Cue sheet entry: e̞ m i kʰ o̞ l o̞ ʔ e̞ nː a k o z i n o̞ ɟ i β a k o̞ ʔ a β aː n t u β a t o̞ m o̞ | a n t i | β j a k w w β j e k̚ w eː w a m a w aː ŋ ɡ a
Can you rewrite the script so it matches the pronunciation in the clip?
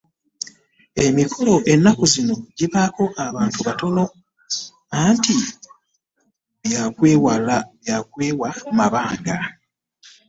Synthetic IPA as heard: e̞ m i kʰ o̞ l o̞ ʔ e̞ nː a k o z i n o̞ ɟ i β a k o̞ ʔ a β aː n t u β a t o̞ n o̞ | a n t i | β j a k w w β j a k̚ w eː w a m a β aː ŋ ɡ a